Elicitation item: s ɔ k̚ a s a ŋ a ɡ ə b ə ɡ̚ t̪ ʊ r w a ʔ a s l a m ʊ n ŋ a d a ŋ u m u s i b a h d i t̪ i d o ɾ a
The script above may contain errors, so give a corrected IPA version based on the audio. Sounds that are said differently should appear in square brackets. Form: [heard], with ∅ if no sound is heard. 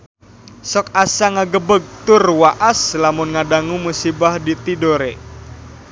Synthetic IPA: s ɔ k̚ a s a ŋ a ɡ ə b ə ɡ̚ t̪ ʊ r w a ʔ a s l a m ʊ n ŋ a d a ŋ u m u s i b a h d i t̪ i d o ɾ [e]